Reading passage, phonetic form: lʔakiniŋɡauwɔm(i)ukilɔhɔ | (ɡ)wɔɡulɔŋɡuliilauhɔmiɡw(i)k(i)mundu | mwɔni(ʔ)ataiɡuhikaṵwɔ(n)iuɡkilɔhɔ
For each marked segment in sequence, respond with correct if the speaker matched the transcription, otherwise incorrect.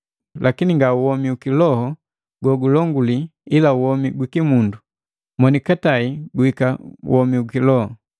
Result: correct, correct, correct, correct, incorrect, incorrect

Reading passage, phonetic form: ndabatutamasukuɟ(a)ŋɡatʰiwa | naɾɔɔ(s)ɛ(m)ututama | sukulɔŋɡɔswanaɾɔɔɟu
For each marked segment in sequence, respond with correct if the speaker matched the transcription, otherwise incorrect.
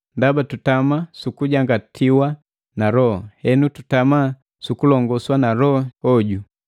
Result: correct, incorrect, incorrect

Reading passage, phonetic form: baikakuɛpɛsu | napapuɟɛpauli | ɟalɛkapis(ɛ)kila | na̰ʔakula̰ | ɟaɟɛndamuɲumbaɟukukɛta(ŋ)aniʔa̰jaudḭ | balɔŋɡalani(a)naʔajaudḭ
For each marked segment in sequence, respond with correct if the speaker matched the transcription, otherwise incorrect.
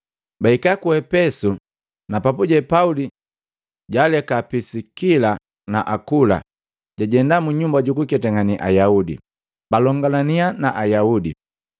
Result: incorrect, correct, correct

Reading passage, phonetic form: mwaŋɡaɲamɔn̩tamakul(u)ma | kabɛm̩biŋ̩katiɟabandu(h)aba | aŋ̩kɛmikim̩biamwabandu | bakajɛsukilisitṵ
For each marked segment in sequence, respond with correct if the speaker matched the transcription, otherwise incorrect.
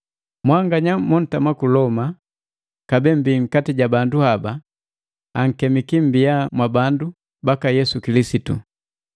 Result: incorrect, correct

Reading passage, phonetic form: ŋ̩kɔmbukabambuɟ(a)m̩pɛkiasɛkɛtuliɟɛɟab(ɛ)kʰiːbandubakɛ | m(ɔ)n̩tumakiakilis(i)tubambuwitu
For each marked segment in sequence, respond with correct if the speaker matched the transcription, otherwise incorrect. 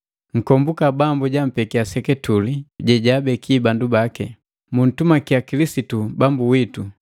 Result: correct, correct, incorrect, correct

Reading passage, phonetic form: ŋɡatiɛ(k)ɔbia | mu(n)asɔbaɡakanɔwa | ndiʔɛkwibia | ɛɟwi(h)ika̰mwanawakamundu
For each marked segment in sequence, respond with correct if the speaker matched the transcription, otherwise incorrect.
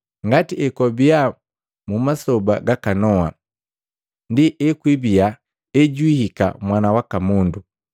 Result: correct, incorrect, correct

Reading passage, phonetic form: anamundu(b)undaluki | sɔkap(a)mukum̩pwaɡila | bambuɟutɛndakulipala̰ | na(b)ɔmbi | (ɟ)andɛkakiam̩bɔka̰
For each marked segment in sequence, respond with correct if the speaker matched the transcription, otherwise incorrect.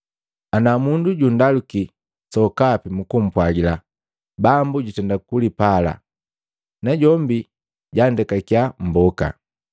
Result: incorrect, incorrect, incorrect, correct

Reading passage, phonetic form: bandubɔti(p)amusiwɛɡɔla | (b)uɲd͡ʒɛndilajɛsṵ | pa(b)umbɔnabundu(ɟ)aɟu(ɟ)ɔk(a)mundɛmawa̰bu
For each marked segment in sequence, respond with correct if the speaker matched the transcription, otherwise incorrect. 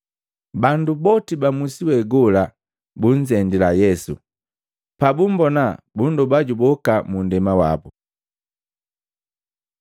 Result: incorrect, correct, correct, incorrect, incorrect, correct

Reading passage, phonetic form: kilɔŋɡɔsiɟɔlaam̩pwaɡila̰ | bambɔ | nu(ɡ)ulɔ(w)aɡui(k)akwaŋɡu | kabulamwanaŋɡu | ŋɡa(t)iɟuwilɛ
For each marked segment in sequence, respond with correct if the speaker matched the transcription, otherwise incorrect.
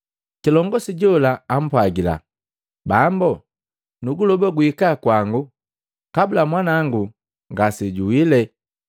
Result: correct, incorrect, correct, incorrect

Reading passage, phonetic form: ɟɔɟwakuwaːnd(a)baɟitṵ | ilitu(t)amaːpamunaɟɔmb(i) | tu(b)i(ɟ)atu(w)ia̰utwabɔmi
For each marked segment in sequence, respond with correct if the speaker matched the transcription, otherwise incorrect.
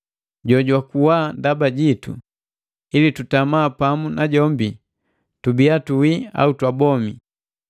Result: correct, correct, correct, correct, incorrect, correct

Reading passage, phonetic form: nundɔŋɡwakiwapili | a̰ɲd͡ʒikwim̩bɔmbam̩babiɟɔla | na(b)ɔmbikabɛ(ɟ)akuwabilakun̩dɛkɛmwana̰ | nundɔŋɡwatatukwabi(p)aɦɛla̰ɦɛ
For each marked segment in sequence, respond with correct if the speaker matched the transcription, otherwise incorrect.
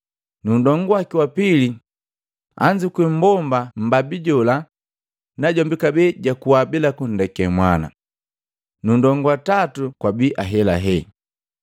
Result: incorrect, correct, incorrect

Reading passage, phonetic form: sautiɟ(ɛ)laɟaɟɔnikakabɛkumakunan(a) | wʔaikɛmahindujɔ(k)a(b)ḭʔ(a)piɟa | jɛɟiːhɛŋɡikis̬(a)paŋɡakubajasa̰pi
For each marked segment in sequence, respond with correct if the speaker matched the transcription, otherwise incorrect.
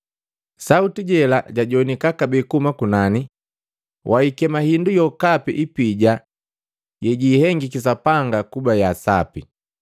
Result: correct, incorrect, correct, incorrect, incorrect, correct

